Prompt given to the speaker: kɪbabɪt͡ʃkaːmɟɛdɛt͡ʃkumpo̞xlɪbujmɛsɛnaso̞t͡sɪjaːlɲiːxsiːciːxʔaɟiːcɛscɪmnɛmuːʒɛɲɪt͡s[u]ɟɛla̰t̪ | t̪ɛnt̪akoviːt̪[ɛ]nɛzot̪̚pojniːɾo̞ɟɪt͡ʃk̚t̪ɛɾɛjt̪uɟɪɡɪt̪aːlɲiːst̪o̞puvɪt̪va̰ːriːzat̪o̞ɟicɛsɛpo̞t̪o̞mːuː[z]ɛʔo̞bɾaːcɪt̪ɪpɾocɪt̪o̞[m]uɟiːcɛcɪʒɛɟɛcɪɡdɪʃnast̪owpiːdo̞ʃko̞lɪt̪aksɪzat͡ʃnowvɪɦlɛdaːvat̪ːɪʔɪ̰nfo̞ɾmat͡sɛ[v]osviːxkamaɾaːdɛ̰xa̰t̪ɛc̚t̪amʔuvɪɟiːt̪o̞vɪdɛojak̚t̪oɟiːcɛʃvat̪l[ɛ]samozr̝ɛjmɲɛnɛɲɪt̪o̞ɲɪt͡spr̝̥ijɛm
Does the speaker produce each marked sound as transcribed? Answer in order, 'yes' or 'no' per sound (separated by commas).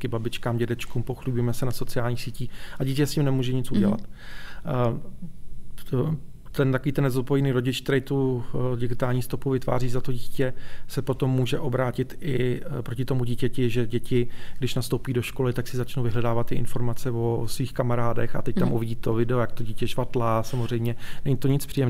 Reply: yes, yes, no, yes, yes, no